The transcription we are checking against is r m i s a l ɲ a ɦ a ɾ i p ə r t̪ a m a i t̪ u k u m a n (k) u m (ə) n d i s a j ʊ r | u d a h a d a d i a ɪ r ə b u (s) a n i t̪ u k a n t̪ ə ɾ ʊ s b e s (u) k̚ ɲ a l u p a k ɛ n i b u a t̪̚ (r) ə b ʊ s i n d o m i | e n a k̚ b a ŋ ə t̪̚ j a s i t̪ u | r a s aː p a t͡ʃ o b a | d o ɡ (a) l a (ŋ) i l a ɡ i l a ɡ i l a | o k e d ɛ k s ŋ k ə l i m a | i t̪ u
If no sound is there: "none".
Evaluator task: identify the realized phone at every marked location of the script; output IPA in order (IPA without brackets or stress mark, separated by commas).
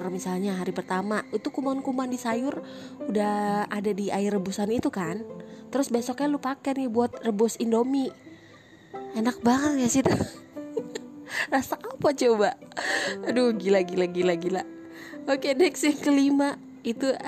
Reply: k, a, s, ɔ, r, i, ɡ